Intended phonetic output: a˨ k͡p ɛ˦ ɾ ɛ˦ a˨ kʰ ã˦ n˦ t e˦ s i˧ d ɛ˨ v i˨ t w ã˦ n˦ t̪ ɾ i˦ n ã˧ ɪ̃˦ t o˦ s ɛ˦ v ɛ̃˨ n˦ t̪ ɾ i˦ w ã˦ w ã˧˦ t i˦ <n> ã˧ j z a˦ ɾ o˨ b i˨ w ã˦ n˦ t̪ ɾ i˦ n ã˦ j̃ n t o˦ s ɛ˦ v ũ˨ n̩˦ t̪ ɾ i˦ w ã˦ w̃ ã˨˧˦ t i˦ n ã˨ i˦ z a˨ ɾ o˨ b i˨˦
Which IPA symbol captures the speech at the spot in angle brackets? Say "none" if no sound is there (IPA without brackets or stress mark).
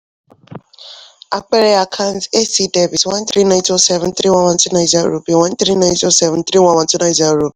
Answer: n